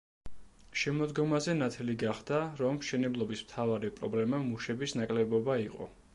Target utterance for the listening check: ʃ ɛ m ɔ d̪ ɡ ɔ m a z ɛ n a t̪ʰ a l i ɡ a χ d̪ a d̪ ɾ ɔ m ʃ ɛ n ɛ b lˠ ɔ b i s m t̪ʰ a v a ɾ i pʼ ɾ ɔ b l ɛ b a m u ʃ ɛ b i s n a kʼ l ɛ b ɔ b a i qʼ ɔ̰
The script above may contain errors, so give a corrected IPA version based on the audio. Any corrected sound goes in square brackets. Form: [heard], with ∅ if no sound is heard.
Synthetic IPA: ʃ ɛ m ɔ d̪ ɡ ɔ m a z ɛ n a t̪ʰ [ɛ] l i ɡ a χ d̪ a [∅] ɾ ɔ m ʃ ɛ n ɛ b lˠ ɔ b i s m t̪ʰ a v a ɾ i pʼ ɾ ɔ b l ɛ [m] a m u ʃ ɛ b i s n a kʼ l ɛ b ɔ b a i qʼ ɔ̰